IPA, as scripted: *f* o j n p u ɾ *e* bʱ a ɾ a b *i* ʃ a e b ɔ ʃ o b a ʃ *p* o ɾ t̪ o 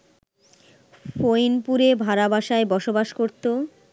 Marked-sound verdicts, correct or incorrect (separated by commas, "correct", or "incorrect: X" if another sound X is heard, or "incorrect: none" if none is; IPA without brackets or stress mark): correct, correct, incorrect: a, incorrect: k